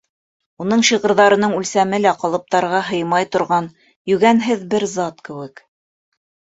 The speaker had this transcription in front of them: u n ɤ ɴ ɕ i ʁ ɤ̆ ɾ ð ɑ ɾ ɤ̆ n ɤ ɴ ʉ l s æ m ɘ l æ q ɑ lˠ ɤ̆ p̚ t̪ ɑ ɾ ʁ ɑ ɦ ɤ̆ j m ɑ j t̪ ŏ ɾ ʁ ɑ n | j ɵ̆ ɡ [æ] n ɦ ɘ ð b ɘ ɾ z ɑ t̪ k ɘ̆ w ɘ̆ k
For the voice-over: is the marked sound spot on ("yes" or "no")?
yes